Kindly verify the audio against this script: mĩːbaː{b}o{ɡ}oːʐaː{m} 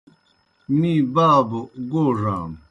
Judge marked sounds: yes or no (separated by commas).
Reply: yes, yes, yes